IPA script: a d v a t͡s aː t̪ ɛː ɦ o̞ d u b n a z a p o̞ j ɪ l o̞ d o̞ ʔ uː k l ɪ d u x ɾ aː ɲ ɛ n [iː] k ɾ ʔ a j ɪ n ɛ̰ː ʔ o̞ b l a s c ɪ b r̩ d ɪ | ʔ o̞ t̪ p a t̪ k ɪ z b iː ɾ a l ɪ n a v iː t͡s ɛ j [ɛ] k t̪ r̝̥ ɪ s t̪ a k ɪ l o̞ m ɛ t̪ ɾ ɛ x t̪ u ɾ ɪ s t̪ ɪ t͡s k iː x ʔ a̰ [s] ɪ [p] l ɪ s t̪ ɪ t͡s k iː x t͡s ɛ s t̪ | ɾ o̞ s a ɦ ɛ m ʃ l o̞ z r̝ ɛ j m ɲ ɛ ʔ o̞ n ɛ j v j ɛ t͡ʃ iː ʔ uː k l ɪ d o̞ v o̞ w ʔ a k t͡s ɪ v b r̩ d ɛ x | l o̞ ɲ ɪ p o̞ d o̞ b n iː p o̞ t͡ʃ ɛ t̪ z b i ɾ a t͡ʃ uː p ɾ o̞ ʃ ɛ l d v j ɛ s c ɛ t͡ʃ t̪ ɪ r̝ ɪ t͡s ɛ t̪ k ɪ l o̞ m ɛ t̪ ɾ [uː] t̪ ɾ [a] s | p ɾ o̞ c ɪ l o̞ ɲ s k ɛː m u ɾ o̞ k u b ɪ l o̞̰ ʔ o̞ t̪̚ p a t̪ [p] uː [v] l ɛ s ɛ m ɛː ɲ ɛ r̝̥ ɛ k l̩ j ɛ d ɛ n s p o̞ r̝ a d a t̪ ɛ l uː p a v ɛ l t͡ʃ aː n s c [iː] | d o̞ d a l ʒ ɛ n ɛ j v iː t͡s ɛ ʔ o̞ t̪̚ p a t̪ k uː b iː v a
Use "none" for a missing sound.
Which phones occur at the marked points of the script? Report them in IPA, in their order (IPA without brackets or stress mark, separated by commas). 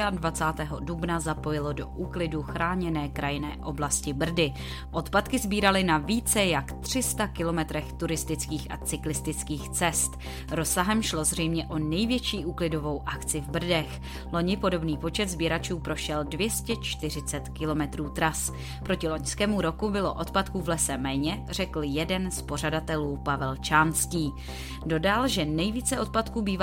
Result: ɛː, a, t͡s, k, uː, a, k, v, iː